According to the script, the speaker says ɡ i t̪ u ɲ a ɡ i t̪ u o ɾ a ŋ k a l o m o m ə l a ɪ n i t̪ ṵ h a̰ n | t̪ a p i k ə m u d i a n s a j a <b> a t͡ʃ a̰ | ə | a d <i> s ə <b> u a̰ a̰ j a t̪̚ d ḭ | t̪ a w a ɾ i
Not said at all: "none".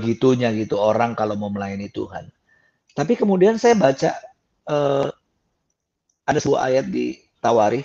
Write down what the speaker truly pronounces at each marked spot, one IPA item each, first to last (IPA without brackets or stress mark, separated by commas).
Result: b, a, b